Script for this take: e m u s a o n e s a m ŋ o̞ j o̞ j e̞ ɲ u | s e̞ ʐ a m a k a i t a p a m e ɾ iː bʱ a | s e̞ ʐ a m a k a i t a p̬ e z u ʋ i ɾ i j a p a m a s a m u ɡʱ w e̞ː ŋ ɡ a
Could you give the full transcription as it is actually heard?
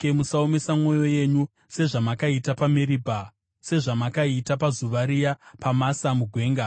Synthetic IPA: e m u s a o m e s a m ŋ o̞ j o̞ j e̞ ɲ u | s e̞ ʐ a m a k a i t a p a m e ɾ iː bʱ a | s e̞ ʐ a m a k a i t a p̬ a z u ʋ a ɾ i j a p a m a s a m u ɡʱ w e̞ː ŋ ɡ a